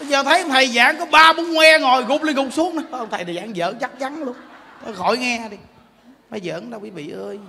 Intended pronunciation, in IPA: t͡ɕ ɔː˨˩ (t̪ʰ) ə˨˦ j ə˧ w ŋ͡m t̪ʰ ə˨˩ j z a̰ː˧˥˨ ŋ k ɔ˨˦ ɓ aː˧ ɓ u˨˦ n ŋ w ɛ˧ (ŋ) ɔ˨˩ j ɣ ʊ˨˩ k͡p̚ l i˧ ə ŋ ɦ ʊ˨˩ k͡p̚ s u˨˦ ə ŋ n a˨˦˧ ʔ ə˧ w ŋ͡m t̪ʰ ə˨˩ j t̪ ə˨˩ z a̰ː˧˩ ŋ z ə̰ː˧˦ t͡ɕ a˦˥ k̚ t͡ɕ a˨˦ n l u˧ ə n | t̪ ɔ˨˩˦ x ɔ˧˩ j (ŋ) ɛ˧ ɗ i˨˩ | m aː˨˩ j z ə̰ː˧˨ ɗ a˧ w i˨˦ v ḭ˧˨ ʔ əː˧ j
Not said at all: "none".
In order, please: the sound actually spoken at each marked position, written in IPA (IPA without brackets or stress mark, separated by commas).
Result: t̪ʰ, ŋ, ŋ